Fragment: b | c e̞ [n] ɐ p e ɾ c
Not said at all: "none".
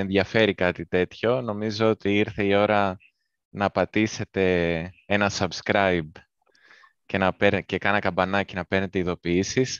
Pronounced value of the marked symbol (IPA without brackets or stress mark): n